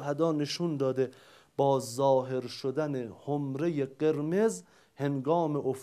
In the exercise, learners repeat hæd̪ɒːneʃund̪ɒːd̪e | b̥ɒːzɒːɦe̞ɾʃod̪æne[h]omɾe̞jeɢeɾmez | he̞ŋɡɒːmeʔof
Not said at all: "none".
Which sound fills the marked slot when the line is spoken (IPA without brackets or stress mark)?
h